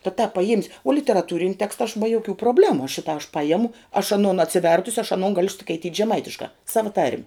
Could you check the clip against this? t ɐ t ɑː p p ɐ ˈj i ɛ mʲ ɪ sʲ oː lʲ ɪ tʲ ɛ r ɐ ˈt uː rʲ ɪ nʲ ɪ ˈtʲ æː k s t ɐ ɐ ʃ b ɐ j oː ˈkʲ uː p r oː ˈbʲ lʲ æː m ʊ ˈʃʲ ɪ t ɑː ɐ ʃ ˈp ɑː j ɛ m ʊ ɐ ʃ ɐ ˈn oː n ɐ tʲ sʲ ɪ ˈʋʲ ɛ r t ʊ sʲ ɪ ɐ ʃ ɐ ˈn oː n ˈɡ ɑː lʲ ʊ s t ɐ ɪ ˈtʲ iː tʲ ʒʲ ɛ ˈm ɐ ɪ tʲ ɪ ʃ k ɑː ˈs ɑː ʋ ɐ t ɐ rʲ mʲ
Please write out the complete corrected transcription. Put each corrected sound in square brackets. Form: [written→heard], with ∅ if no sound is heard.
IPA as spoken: t ɐ t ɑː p p ɐ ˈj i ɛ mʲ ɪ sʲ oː lʲ ɪ tʲ ɛ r ɐ ˈt uː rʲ ɪ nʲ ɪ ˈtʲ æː k s t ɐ ɐ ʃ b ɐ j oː ˈkʲ uː p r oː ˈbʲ lʲ æː m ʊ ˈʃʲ ɪ t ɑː ɐ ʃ ˈp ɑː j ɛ m ʊ ɐ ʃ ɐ ˈn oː n ɐ tʲ sʲ ɪ ˈʋʲ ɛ r t ʊ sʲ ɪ ɐ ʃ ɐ ˈn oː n ˈɡ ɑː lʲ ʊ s [t→k] ɐ ɪ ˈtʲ iː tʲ ʒʲ ɛ ˈm ɐ ɪ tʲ ɪ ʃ k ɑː ˈs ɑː ʋ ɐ t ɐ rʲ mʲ

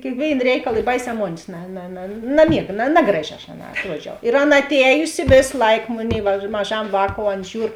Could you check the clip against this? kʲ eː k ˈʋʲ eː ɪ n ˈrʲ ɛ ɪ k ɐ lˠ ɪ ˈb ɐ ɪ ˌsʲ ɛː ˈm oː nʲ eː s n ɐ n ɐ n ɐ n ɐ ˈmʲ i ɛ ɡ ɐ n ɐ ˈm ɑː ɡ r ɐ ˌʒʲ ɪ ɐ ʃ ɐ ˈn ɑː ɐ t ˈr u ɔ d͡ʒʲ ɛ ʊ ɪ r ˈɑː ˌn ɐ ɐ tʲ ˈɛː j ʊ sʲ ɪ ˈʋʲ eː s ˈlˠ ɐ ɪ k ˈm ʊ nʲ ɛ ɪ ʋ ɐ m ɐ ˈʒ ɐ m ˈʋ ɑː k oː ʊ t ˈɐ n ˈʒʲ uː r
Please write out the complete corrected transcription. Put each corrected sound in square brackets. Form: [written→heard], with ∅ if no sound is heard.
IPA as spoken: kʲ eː k ˈʋʲ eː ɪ n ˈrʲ ɛ ɪ k ɐ lˠ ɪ ˈb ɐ ɪ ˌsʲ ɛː ˈm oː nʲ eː s n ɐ n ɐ n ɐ n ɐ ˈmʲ i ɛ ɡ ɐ n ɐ [ˈm→ˈn] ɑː ɡ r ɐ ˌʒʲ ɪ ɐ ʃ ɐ ˈn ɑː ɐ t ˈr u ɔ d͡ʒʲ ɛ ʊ ɪ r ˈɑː ˌn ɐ ɐ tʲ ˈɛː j ʊ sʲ ɪ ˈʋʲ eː s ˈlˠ ɐ ɪ k ˈm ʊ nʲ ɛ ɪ ʋ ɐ m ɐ ˈʒ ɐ m ˈʋ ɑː k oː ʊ [t→∅] ˈɐ n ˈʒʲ uː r

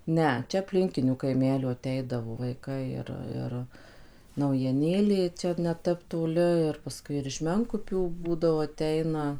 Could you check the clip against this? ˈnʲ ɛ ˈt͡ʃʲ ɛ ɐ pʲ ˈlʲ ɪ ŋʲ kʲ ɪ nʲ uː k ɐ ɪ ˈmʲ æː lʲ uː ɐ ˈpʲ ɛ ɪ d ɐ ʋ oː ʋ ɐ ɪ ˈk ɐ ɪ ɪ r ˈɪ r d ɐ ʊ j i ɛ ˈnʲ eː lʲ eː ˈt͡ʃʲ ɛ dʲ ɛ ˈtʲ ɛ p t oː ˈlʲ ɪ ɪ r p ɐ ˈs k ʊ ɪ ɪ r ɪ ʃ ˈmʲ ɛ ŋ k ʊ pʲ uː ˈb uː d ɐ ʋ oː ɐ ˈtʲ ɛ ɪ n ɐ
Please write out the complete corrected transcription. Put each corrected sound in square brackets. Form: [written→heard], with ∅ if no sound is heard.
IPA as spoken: ˈnʲ ɛ ˈt͡ʃʲ ɛ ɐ pʲ ˈlʲ ɪ ŋʲ kʲ ɪ nʲ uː k ɐ ɪ ˈmʲ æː lʲ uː ɐ [ˈpʲ→ˈtʲ] ɛ ɪ d ɐ ʋ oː ʋ ɐ ɪ ˈk ɐ ɪ ɪ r ˈɪ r [d→n] ɐ ʊ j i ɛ ˈnʲ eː lʲ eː ˈt͡ʃʲ ɛ [dʲ→nʲ] ɛ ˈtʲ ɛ p t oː ˈlʲ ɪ ɪ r p ɐ ˈs k ʊ ɪ ɪ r ɪ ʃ ˈmʲ ɛ ŋ k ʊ pʲ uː ˈb uː d ɐ ʋ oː ɐ ˈtʲ ɛ ɪ n ɐ

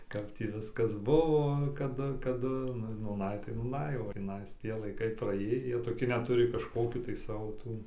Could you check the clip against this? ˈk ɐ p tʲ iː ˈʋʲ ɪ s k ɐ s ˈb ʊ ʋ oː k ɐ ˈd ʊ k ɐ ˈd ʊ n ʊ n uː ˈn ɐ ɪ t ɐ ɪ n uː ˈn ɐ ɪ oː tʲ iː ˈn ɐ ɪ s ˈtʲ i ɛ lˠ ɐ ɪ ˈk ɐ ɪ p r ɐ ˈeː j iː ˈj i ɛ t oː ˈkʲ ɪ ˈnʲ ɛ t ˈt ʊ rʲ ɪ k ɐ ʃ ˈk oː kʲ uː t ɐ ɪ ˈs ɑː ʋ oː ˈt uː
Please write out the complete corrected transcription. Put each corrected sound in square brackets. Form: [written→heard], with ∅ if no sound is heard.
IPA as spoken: ˈk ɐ p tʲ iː ˈʋʲ ɪ s k ɐ s ˈb ʊ ʋ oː k ɐ ˈd ʊ k ɐ ˈd ʊ n ʊ n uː ˈn ɐ ɪ t ɐ ɪ n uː ˈn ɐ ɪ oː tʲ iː ˈn ɐ ɪ s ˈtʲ i ɛ lˠ ɐ ɪ ˈk ɐ ɪ p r ɐ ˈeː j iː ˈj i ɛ t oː ˈkʲ ɪ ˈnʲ ɛ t ˈt ʊ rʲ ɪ k ɐ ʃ ˈk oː kʲ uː t ɐ ɪ ˈs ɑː ʋ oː ˈt uː

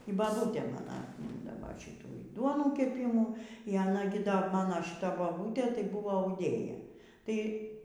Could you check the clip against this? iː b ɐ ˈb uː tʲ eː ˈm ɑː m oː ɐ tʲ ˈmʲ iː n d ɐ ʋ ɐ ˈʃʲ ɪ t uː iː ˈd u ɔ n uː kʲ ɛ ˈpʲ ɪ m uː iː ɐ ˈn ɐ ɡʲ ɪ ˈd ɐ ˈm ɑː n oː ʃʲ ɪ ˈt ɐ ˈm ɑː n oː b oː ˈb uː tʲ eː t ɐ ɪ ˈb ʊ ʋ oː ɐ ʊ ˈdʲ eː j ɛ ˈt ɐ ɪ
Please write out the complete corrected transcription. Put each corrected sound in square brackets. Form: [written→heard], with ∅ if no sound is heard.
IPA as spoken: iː b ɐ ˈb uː tʲ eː ˈm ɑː [m→n] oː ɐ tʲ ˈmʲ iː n d ɐ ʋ ɐ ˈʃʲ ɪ t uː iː ˈd u ɔ n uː kʲ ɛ ˈpʲ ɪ m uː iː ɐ ˈn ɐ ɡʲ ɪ ˈd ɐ ˈm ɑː n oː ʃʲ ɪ ˈt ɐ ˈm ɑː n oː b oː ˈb uː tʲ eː t ɐ ɪ ˈb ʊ ʋ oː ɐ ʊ ˈdʲ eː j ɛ ˈt ɐ ɪ

